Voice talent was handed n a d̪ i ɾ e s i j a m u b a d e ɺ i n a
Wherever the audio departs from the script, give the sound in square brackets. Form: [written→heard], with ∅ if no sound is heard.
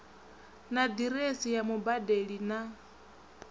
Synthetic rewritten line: n a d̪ i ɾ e s i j a m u b a d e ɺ i n a